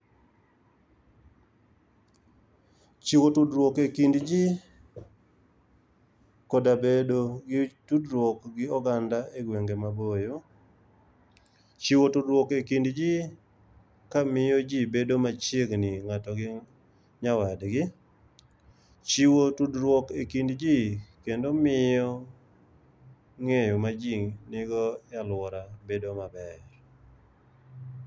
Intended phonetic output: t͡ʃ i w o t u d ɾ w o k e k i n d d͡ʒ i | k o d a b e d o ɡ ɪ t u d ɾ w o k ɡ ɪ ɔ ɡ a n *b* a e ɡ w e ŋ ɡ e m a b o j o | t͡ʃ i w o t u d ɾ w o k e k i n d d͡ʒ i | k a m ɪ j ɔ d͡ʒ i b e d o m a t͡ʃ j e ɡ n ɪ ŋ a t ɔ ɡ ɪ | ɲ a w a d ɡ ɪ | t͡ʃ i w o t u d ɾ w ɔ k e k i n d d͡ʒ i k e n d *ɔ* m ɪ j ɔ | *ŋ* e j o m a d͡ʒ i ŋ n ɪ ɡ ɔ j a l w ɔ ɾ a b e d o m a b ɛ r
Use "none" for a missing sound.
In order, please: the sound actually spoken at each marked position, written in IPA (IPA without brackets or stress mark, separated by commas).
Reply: d, o, ŋ